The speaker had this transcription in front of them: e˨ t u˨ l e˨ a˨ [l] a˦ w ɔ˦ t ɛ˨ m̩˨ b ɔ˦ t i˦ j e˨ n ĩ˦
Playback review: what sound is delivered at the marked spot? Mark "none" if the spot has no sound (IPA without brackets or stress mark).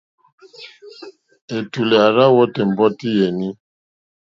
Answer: ɾ